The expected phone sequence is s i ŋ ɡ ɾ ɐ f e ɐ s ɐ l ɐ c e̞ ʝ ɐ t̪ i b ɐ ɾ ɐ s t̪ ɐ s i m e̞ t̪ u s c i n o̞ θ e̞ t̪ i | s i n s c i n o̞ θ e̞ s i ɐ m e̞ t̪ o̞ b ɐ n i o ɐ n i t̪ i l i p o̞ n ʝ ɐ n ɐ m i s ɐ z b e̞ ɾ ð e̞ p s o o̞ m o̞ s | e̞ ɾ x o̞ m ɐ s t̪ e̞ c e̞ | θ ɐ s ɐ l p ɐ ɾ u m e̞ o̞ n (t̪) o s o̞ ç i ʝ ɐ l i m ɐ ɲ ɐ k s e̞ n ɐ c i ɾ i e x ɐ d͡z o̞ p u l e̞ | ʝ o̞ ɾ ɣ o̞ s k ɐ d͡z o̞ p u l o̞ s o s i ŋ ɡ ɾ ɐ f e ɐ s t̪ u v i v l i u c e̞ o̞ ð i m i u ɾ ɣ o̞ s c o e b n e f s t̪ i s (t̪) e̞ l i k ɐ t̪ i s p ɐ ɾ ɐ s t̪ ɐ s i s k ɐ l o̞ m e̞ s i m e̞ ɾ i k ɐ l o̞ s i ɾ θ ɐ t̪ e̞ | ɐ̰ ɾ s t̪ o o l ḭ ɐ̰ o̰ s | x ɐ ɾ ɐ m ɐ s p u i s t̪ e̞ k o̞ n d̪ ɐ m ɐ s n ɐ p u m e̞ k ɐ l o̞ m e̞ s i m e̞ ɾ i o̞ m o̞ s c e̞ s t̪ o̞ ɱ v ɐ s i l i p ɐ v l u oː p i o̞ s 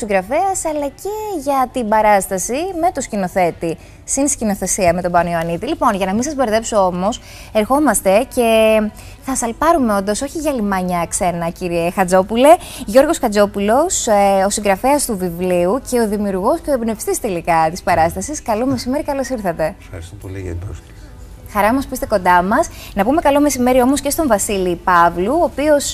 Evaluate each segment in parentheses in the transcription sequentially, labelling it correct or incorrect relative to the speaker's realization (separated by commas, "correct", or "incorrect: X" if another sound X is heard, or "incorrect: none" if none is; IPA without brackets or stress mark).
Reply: incorrect: d̪, correct